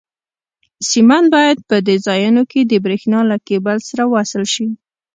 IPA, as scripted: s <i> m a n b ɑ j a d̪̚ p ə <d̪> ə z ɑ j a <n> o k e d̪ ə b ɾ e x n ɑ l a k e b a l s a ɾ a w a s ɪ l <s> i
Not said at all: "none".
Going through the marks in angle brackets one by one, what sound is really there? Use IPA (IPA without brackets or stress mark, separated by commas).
i, d̪, n, ʃ